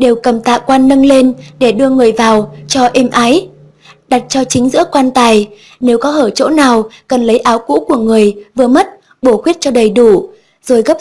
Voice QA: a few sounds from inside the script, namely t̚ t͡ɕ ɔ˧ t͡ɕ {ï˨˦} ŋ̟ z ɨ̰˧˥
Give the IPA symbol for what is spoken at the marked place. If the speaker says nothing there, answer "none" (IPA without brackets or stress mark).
ï˨˦